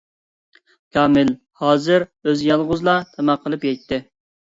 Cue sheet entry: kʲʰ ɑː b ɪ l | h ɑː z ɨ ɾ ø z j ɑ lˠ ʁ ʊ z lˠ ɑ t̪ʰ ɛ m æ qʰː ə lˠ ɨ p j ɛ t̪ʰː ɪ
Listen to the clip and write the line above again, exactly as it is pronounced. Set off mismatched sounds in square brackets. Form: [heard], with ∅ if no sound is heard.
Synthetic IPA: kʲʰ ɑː [m] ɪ l | h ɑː z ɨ ɾ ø z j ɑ lˠ ʁ ʊ z lˠ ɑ t̪ʰ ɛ m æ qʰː ə lˠ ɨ p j ɛ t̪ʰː ɪ